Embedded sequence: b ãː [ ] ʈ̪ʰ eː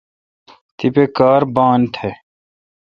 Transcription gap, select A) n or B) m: A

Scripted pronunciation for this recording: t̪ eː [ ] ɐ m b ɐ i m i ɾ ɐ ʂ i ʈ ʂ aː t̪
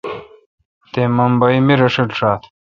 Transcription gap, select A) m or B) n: A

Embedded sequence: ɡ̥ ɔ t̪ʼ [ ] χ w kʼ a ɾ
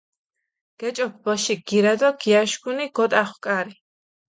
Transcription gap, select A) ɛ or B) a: B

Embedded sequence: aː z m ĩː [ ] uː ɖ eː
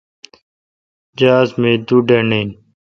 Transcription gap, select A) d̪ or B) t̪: A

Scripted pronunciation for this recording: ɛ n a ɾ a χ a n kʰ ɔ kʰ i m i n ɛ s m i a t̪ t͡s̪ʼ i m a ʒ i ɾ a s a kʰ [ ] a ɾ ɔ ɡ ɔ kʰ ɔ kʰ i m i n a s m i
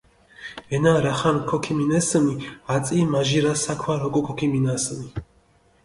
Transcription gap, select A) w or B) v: A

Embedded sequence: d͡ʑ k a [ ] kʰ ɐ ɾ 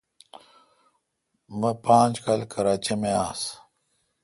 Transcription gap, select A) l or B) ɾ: A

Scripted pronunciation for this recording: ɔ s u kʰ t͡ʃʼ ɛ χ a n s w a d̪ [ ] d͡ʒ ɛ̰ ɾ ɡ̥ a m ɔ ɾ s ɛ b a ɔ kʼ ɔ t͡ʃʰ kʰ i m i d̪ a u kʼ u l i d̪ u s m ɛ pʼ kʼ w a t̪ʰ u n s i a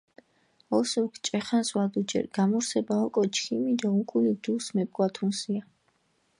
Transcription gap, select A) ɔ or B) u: B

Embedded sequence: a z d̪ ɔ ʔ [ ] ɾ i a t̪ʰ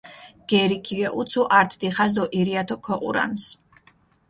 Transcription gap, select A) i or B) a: A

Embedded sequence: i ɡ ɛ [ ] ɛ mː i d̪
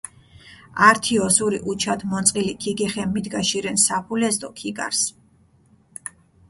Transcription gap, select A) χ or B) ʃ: A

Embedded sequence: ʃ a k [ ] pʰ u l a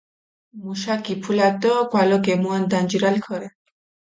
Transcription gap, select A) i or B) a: A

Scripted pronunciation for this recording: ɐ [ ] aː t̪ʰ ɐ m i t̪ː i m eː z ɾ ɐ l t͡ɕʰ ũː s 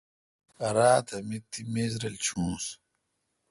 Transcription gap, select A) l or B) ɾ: B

